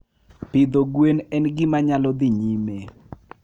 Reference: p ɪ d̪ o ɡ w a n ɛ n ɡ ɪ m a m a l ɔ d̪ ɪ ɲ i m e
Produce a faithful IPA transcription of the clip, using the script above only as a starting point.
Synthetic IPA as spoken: p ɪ d̪ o ɡ w e n ɛ n ɡ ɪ m a ɲ a l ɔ d̪ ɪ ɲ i m e